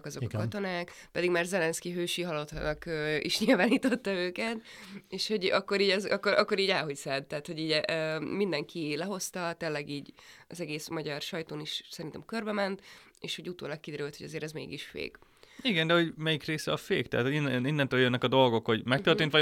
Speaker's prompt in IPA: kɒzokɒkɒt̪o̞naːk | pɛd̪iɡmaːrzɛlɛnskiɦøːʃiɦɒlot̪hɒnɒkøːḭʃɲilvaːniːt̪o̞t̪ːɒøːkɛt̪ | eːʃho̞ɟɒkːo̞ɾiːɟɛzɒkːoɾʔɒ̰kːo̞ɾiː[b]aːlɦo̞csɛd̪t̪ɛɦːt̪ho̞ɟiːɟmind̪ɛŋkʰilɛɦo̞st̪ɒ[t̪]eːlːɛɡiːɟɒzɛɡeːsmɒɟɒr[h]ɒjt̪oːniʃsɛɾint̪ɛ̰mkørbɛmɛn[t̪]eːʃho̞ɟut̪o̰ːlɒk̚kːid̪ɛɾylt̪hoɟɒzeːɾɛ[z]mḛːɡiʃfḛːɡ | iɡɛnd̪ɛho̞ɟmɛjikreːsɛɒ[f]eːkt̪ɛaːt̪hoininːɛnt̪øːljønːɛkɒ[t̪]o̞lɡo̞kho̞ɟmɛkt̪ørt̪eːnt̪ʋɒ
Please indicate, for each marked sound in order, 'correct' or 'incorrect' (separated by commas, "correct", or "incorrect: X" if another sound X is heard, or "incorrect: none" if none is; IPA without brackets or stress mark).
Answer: incorrect: ɟ, correct, incorrect: ʃ, correct, correct, correct, incorrect: d̪